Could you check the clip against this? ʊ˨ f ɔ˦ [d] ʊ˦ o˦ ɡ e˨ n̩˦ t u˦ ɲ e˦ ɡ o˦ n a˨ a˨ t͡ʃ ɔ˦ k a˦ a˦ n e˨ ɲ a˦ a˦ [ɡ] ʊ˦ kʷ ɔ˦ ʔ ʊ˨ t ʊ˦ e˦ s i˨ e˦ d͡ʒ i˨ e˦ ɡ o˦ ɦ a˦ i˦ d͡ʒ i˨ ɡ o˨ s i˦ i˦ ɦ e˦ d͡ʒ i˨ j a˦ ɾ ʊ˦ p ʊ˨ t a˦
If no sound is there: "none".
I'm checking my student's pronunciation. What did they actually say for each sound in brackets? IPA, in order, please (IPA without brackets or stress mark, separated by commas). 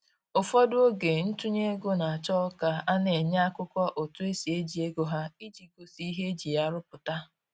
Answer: d, k